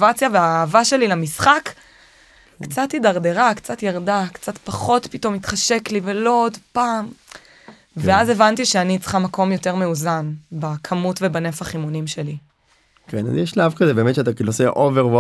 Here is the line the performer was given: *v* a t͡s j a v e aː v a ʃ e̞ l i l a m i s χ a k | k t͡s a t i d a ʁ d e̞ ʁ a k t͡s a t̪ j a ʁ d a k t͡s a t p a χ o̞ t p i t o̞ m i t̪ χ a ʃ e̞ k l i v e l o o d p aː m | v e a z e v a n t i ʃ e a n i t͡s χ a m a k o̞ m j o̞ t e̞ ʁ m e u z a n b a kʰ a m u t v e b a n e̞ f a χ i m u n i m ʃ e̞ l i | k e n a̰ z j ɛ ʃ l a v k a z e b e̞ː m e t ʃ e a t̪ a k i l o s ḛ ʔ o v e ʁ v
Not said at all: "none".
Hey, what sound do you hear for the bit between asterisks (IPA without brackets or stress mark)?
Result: v